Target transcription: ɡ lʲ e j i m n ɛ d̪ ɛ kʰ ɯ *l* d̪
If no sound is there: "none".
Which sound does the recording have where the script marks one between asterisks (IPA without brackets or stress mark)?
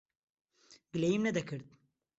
ɾ